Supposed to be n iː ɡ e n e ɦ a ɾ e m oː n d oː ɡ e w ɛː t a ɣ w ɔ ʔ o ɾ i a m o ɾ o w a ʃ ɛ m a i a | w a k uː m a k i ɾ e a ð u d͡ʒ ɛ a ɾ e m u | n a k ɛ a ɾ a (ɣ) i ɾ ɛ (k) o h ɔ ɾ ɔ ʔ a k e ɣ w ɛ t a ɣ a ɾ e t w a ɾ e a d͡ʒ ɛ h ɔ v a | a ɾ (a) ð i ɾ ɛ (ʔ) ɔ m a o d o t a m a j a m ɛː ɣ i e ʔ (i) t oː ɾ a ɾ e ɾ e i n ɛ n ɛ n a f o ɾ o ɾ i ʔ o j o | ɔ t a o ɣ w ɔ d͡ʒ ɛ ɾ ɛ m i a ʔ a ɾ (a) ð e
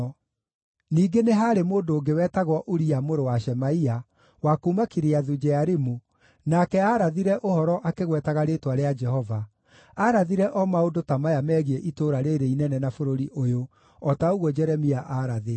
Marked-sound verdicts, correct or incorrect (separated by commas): incorrect, incorrect, correct, correct, correct, correct